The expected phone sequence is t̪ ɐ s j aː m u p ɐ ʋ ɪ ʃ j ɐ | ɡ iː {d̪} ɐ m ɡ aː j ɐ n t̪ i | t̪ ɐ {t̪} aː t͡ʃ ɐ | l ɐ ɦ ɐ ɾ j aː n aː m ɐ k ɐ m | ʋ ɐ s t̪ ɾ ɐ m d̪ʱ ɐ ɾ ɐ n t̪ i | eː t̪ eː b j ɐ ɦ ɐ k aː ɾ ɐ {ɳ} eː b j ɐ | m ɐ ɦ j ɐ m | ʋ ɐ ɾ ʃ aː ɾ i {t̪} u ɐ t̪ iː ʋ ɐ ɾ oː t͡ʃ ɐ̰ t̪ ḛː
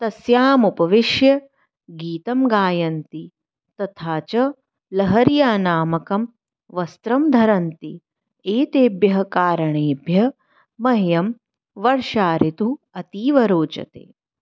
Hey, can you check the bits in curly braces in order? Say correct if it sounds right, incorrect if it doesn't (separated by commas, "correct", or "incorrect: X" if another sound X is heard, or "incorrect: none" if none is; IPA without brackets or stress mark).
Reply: incorrect: t̪, incorrect: t̪ʰ, correct, correct